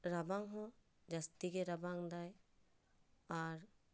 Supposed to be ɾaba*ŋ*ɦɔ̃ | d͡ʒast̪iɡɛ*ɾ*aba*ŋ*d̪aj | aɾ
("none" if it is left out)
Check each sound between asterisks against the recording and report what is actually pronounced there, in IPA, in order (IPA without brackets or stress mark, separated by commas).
ŋ, ɾ, ŋ